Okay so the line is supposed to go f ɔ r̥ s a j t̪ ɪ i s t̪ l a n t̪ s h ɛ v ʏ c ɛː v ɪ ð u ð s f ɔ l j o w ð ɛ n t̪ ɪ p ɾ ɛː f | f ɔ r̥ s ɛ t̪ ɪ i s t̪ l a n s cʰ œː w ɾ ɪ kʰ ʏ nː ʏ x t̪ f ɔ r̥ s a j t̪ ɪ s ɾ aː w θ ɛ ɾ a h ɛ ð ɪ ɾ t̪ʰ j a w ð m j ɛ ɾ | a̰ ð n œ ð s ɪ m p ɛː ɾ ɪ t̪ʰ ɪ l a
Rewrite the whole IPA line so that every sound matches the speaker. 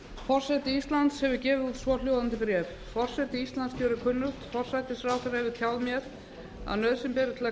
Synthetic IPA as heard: f ɔ r̥ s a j t̪ ɪ i s t̪ l a n t̪ s h ɛ v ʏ c ɛː v ɪ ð u ð s v ɔ l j o w ð a n t̪ ɪ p ɾ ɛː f | f ɔ r̥ s ɛ t̪ ɪ i s t̪ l a n s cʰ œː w ɾ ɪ kʰ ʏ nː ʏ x t̪ f ɔ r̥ s a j t̪ ɪ s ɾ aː w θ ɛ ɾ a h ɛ v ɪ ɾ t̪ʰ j a w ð m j ɛ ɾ | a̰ ð n œ ð s ɪ m p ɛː ɾ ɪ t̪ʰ ɪ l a